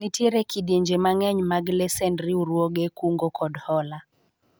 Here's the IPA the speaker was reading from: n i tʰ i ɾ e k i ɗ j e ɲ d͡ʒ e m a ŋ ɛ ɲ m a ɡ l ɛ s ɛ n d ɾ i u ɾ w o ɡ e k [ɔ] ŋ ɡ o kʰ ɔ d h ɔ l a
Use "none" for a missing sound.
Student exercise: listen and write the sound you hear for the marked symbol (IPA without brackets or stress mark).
u